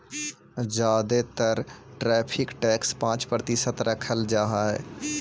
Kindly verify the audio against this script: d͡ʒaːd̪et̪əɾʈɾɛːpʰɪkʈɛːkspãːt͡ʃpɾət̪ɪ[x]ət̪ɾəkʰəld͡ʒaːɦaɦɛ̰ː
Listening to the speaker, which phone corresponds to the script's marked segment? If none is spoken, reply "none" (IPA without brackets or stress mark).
s